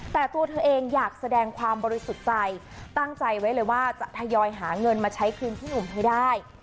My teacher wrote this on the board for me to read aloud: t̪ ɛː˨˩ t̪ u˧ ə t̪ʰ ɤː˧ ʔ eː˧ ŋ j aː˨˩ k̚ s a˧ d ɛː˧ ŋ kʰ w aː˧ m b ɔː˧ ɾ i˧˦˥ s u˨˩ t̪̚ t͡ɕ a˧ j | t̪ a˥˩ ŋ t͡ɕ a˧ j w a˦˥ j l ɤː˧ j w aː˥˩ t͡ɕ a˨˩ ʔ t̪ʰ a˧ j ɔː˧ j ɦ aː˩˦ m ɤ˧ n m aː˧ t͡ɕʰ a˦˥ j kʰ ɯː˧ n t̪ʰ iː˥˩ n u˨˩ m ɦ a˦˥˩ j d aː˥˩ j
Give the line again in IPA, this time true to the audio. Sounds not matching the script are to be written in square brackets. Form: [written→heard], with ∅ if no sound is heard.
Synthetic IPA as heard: t̪ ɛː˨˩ t̪ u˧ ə t̪ʰ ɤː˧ ʔ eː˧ ŋ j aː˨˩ k̚ s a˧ d ɛː˧ ŋ kʰ w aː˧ m b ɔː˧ ɾ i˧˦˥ s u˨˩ t̪̚ t͡ɕ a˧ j | t̪ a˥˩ ŋ t͡ɕ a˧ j w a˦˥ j l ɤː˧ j w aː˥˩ t͡ɕ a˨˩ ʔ t̪ʰ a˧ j ɔː˧ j ɦ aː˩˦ [m→ŋ] ɤ˧ n m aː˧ t͡ɕʰ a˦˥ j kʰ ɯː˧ n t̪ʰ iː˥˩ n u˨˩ m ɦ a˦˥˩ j d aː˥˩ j